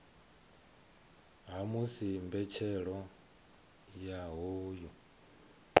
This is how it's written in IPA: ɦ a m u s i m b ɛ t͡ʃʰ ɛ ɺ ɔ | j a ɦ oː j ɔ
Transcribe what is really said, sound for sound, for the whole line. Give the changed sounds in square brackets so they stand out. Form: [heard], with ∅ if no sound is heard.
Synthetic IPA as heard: ɦ a m u s i m b ɛ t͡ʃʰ ɛ ɺ ɔ | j a ɦ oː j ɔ